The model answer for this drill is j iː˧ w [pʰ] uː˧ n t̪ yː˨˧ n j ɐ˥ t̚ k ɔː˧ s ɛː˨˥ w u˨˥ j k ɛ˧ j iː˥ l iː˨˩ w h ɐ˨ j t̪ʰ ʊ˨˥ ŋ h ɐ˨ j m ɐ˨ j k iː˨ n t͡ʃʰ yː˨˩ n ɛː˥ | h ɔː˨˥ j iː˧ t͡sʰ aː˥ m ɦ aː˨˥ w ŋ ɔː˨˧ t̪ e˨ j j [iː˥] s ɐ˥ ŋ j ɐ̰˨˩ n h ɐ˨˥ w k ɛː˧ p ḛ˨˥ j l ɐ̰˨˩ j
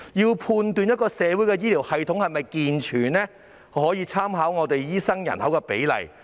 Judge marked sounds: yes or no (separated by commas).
yes, yes